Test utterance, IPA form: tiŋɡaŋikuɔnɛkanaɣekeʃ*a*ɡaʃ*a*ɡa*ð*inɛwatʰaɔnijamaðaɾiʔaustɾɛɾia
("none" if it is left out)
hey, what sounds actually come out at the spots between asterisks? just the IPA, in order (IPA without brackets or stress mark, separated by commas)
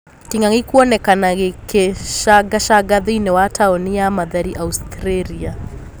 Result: a, a, ð